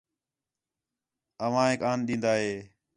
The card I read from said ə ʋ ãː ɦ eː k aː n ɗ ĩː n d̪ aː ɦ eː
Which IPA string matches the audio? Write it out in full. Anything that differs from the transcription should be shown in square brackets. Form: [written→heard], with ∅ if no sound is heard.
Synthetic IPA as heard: ə ʋ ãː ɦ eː k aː n ɗ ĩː n d̪ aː ɦ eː